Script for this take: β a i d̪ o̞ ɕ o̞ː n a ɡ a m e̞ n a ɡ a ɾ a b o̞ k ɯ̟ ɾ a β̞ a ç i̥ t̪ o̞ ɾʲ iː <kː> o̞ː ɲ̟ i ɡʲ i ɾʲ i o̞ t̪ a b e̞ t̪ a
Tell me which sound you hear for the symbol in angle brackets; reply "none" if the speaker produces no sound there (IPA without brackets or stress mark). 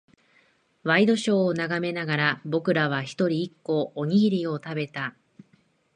kː